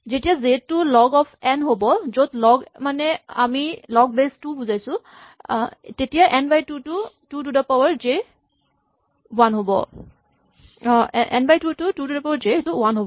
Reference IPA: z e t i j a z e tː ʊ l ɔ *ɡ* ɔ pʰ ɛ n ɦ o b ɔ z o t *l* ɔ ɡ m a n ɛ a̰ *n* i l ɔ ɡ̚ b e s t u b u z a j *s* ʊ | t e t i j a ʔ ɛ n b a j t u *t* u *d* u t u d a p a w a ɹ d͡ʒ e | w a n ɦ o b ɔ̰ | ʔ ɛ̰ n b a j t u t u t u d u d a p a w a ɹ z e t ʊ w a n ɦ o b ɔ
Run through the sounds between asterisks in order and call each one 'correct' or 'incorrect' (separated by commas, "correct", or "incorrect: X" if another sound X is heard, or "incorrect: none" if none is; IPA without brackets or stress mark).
correct, correct, incorrect: m, correct, correct, incorrect: t